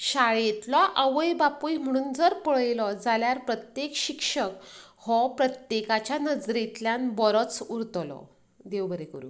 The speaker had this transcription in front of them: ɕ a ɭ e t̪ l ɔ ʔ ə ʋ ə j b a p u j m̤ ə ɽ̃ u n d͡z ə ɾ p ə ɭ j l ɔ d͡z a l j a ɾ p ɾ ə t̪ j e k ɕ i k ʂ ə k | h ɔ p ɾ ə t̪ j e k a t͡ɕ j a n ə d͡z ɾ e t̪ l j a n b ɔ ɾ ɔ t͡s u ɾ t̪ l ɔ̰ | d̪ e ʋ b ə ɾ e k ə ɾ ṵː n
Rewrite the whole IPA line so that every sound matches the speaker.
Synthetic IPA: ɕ a ɭ e t̪ l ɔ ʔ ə ʋ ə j b a p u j m̤ ə ɽ̃ uː n d͡z ə ɾ p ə ɭ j l ɔ d͡z a l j a ɾ p ɾ ə t̪ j e k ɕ i k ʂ ə k | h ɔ p ɾ ə t̪ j e k a t͡ɕ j a n ə d͡z ɾ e t̪ l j a n b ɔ ɾ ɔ t͡s u ɾ t̪ l ɔ̰ | d̪ e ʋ b ə ɾ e k ə ɾ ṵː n